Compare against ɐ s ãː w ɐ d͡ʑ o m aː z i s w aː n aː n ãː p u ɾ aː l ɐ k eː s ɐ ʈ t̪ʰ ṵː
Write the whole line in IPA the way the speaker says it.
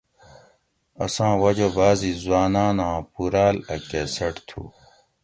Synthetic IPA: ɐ s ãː w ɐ d͡ʑ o b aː z i z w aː n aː n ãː p u ɾ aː l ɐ k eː s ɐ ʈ t̪ʰ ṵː